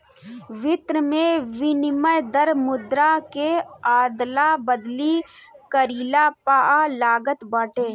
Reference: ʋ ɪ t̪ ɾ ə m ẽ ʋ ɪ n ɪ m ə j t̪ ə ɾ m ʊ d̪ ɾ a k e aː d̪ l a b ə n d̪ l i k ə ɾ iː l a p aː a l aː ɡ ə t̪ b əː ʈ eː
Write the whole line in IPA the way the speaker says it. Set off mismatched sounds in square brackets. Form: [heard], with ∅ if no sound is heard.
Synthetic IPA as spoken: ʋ ɪ t̪ ɾ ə m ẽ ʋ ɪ n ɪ m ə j [d̪] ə ɾ m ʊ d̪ ɾ a k e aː d̪ l a b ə [∅] d̪ l i k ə ɾ iː l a p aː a l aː ɡ ə t̪ b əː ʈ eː